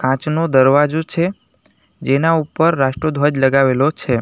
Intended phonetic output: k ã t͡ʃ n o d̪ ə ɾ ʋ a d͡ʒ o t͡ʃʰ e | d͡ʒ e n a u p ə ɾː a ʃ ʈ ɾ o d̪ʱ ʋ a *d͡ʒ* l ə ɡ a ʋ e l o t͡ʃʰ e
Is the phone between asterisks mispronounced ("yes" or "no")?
no